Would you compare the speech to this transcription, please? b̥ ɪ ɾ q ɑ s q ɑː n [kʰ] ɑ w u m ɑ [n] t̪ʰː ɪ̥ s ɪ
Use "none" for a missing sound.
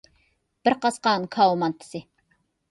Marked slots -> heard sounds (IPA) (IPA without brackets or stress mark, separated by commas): kʰ, n